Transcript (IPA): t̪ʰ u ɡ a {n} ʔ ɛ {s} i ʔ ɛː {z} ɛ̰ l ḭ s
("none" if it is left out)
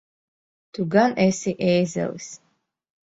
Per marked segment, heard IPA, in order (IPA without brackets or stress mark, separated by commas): n, s, z